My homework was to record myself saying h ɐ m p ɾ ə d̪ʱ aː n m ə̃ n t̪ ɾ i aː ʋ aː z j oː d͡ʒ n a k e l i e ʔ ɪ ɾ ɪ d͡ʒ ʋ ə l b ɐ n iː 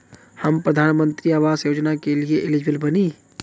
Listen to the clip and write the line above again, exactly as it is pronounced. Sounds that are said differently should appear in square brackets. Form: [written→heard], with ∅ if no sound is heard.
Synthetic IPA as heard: h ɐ m p ɾ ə d̪ʱ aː n m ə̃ n t̪ ɾ i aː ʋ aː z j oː d͡ʒ n a k e l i e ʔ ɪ [ɾ→l] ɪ d͡ʒ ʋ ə l b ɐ n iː